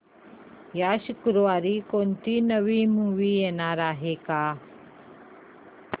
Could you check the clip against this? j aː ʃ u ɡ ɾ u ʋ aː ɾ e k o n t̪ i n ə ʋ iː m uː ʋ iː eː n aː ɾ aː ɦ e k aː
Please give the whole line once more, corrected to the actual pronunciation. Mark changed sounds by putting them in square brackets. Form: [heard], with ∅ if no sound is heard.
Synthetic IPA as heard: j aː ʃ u [k] ɾ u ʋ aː ɾ [i] k o n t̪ i n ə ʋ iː m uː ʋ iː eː n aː ɾ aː ɦ e k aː